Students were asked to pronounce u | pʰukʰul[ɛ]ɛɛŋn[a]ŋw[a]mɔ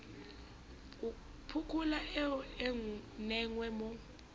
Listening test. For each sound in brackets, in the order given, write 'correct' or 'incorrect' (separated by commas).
incorrect, incorrect, incorrect